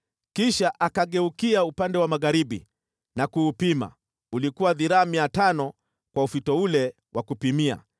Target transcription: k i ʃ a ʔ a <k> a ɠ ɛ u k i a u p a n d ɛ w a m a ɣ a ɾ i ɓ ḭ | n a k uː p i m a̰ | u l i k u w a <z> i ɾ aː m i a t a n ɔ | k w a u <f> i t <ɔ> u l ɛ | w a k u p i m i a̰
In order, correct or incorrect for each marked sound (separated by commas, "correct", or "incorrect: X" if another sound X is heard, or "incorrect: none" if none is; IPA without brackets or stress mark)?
correct, incorrect: ð, correct, correct